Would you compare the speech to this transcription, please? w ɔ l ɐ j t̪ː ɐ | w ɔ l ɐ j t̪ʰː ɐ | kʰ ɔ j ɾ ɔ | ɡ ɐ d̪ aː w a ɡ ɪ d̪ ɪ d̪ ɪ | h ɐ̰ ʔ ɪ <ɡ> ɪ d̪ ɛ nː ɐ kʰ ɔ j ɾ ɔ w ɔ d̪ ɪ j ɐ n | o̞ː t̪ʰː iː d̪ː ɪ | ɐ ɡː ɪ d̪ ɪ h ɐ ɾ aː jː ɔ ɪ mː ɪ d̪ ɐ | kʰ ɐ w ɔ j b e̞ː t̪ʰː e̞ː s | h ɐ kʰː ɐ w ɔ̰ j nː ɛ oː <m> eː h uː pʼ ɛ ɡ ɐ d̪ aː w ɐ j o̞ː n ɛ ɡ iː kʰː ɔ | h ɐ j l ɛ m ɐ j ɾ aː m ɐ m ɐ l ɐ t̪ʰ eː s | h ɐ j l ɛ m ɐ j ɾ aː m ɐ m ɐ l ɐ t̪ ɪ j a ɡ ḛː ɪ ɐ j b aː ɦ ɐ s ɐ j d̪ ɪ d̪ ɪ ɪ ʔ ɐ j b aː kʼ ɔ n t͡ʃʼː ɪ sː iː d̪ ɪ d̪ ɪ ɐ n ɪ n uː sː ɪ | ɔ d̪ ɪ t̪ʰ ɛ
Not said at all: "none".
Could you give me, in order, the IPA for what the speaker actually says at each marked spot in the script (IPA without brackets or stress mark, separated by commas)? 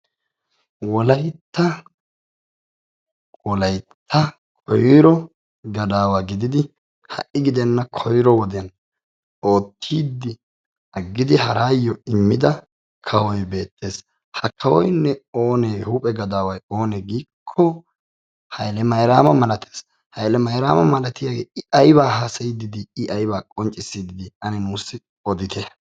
ɡ, n